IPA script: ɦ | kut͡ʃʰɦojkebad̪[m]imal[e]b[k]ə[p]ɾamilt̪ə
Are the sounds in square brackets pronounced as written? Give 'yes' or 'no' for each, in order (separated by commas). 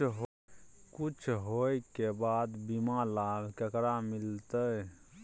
no, no, yes, no